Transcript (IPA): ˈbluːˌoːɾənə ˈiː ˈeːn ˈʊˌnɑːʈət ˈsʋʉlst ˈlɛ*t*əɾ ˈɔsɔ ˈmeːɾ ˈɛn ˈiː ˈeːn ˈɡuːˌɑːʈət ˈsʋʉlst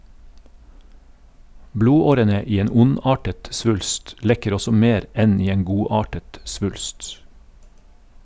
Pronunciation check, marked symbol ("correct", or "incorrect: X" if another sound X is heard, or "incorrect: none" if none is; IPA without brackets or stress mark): incorrect: k